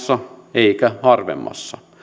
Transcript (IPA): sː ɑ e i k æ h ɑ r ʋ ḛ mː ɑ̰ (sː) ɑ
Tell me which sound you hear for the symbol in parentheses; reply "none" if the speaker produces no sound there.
sː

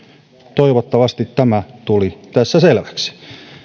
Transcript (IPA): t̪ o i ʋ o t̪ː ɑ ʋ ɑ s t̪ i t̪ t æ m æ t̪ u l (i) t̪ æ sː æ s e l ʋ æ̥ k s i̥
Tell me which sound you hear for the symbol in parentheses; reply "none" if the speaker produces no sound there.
i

